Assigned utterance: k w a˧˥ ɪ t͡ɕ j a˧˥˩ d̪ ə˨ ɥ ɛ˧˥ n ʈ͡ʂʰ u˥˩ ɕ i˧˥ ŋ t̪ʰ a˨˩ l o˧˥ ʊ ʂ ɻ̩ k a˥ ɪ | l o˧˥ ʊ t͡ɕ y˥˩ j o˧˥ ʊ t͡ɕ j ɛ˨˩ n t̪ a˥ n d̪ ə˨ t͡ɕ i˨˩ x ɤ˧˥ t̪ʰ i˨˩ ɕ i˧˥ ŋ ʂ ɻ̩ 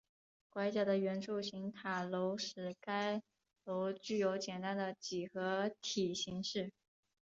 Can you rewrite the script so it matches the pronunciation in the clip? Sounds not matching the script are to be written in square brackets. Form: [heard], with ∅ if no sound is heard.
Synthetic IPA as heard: k w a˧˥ ɪ t͡ɕ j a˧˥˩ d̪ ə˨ ɥ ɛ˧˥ n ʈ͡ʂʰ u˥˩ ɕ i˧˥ ŋ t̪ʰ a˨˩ l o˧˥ ʊ ʂ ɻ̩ k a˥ ɪ | l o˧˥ ʊ t͡ɕ y˥˩ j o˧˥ ʊ t͡ɕ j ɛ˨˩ n t̪ a˥ n d̪ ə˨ t͡ɕ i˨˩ x ɤ˧˥ t̪ʰ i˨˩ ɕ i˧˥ ŋ ʂ ɻ̩